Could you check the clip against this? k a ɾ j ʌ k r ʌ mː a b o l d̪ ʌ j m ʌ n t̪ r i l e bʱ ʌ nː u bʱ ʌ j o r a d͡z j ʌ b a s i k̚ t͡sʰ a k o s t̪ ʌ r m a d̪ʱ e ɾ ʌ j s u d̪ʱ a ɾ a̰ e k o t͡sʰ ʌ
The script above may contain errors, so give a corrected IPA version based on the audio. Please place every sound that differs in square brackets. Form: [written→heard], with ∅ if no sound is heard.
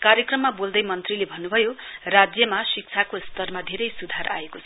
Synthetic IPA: k a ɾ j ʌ k r ʌ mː a b o l d̪ ʌ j m ʌ n t̪ r i l e bʱ ʌ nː u bʱ ʌ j o r a d͡z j ʌ [b→m] a s i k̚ t͡sʰ a k o s t̪ ʌ r m a d̪ʱ e ɾ ʌ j s u d̪ʱ a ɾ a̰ e k o t͡sʰ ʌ